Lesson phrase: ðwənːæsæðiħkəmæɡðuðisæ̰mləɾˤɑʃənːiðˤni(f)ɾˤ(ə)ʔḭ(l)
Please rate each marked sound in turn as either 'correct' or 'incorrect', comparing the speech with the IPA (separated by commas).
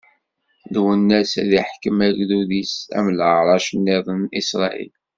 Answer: incorrect, incorrect, correct